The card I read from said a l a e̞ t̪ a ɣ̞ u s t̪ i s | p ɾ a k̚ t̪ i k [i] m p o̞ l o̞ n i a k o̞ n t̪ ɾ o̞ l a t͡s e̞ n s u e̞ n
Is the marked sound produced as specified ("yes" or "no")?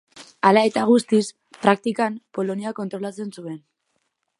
no